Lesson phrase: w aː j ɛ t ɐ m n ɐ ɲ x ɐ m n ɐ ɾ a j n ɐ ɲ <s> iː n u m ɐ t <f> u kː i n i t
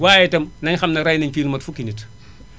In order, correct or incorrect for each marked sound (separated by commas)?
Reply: incorrect, correct